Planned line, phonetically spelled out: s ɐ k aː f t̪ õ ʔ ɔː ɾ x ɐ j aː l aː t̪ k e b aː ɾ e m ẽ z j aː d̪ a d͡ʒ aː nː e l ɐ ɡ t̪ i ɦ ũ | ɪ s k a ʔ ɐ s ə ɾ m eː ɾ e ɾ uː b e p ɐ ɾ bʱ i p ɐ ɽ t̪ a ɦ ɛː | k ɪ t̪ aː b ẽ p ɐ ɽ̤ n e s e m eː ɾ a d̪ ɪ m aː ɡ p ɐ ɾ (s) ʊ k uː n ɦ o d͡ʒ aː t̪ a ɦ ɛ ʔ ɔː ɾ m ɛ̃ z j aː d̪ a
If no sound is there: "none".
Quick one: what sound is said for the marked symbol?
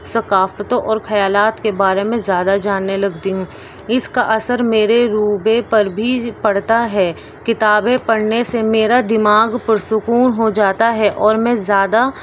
s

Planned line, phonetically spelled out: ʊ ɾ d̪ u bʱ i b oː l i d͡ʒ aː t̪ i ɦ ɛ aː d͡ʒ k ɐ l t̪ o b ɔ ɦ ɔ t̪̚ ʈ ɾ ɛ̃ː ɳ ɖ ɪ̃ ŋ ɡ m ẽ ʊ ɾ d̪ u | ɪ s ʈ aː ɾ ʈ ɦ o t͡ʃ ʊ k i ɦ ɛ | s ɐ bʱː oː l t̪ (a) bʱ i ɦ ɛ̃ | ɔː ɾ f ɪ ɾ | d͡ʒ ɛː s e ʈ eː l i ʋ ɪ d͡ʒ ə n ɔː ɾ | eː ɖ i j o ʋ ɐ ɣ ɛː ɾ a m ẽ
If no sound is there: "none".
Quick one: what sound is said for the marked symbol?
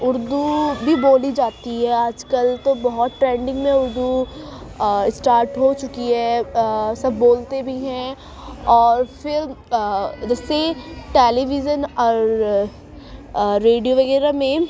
e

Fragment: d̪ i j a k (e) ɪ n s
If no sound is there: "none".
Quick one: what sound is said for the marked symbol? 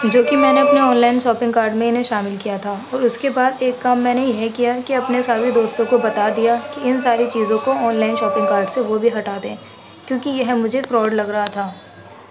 i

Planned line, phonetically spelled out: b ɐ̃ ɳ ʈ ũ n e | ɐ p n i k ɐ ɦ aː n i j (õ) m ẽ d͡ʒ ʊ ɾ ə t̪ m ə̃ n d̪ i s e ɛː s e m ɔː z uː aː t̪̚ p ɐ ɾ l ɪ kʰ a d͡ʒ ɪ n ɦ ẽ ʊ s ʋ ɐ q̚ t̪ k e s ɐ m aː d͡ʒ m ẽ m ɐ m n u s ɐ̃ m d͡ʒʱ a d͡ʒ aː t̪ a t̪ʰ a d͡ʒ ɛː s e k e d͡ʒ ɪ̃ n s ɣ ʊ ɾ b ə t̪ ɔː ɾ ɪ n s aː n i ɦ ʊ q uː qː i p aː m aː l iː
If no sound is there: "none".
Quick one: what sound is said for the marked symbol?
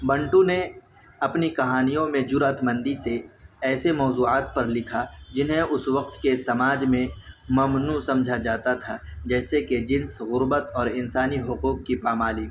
õ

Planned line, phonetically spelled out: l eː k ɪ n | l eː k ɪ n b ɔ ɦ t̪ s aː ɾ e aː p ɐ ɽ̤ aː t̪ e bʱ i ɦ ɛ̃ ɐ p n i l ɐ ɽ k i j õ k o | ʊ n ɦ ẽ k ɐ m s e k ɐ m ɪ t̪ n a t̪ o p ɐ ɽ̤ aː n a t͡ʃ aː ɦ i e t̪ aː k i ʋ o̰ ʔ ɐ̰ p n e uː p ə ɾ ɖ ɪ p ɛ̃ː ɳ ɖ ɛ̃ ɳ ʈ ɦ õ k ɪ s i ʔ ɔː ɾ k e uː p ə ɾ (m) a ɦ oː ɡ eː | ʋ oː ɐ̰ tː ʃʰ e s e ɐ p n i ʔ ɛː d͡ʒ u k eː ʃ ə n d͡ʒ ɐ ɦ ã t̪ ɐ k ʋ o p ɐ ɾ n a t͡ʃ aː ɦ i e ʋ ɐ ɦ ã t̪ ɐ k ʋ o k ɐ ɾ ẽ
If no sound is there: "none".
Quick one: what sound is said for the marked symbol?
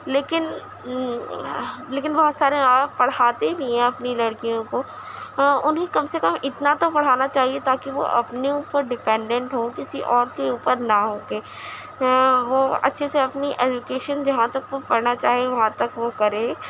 n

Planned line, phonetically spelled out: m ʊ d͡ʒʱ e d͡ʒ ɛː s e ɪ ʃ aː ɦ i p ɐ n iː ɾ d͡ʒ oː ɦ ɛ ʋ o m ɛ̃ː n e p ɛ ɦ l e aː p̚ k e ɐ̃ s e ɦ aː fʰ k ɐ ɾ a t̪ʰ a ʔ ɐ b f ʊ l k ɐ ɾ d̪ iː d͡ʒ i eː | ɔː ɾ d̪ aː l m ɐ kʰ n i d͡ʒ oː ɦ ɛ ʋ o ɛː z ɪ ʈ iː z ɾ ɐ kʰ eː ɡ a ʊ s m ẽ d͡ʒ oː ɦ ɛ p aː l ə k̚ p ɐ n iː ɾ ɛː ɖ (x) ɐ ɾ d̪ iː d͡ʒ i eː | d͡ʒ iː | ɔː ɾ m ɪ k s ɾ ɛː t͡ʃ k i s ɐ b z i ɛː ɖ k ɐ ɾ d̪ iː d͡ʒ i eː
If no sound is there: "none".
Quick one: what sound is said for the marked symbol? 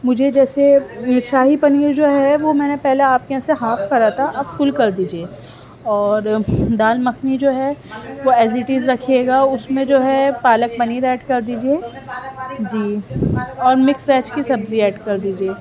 k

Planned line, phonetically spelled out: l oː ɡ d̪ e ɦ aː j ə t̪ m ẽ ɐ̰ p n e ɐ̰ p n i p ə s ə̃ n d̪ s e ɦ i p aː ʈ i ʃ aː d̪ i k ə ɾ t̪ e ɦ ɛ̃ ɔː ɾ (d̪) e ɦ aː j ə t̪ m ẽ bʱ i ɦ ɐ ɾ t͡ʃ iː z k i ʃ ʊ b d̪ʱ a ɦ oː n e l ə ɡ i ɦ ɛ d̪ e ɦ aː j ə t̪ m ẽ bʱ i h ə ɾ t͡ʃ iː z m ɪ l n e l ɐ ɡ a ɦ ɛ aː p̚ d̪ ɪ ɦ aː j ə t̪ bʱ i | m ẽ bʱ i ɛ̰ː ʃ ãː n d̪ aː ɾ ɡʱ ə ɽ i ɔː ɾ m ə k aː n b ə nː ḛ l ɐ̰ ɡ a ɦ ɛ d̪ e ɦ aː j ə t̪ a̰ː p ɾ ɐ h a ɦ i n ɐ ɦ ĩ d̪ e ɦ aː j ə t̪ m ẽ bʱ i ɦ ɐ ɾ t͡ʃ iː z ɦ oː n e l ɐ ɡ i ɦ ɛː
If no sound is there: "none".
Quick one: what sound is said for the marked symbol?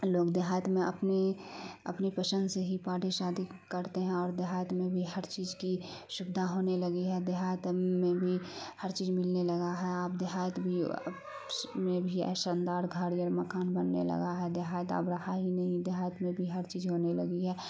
d̪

